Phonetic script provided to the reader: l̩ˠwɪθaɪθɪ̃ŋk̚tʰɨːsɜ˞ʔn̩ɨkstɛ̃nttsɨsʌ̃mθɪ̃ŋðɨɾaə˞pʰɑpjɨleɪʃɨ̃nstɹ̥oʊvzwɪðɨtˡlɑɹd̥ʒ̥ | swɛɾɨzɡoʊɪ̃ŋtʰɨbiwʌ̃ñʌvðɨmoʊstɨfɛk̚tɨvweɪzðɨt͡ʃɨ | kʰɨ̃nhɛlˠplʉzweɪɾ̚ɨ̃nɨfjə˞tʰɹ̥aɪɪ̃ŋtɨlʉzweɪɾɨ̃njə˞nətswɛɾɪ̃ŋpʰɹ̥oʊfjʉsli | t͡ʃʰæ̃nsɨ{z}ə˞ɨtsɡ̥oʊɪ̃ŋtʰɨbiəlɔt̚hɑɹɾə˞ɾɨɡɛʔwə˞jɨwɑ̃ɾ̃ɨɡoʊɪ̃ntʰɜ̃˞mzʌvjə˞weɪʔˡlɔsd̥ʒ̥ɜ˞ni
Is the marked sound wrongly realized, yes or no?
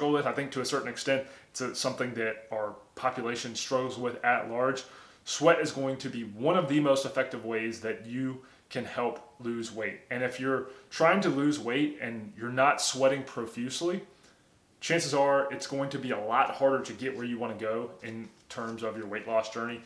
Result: no